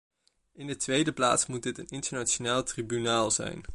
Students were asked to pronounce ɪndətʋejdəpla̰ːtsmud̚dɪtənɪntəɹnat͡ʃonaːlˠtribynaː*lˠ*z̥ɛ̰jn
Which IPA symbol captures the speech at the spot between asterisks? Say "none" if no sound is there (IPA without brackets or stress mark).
lˠ